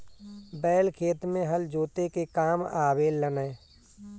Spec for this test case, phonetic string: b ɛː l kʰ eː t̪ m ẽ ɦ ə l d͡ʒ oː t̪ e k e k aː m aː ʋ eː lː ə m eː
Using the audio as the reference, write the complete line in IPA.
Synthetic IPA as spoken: b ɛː l kʰ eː t̪ m ẽ ɦ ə l d͡ʒ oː t̪ e k e k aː m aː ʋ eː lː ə n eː